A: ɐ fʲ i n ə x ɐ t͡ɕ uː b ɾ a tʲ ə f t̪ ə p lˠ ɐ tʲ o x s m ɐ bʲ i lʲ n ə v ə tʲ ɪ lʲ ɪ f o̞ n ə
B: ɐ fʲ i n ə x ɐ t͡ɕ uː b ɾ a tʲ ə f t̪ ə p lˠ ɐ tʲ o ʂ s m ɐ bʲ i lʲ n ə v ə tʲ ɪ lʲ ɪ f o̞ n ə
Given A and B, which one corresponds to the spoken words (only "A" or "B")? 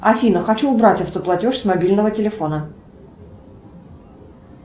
B